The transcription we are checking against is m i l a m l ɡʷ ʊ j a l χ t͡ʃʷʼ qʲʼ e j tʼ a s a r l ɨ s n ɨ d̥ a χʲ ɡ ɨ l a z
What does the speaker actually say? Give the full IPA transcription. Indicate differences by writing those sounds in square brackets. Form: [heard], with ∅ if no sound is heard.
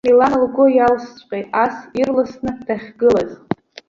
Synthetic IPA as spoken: m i l a [n] l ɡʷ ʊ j a l [s] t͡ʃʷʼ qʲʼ e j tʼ a s [i] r l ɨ s n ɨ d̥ a χʲ ɡ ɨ l a z